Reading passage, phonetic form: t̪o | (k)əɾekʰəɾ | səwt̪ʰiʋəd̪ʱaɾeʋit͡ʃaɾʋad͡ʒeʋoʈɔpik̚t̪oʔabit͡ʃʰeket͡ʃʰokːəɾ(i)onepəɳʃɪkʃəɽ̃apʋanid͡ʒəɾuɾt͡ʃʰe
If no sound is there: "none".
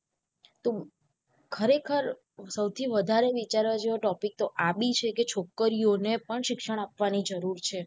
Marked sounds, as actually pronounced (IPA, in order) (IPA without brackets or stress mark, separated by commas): kʰ, i